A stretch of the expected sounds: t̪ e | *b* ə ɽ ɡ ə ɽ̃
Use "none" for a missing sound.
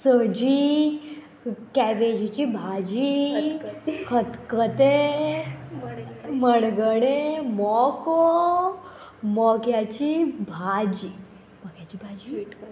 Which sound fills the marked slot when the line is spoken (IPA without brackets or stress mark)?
m